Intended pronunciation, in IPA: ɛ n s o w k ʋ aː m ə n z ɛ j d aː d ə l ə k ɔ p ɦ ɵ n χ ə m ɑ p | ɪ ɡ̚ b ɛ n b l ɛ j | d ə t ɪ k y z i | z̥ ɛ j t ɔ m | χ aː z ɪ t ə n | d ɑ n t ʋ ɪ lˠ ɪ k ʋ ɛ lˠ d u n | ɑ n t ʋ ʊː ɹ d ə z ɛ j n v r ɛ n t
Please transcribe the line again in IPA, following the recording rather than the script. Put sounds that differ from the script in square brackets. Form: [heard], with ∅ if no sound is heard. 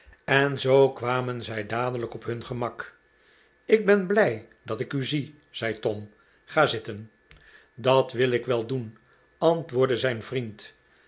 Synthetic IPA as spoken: ɛ n [z] o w k ʋ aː m ə n z ɛ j d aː d ə l ə k ɔ p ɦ ɵ n χ ə m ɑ [k] | ɪ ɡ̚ b ɛ n b l ɛ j | d [ɑ] t ɪ k y z i | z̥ ɛ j t ɔ m | χ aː z ɪ t ə n | d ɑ [∅] t ʋ ɪ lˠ ɪ k ʋ ɛ lˠ d u n | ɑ n t ʋ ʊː ɹ d ə z ɛ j n v r [i] n t